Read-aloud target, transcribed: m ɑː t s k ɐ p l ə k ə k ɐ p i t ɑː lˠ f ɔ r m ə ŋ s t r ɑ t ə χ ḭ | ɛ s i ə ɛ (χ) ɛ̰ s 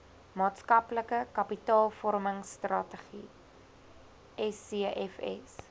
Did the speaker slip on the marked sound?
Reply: yes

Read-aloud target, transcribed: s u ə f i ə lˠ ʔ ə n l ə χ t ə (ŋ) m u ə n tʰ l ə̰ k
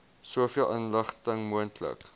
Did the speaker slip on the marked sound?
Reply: no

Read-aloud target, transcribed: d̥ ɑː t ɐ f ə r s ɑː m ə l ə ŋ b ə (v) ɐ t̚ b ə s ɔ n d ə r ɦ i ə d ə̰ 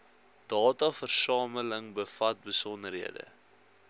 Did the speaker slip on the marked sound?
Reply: yes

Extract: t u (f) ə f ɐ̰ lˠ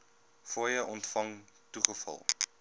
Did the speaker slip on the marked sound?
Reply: yes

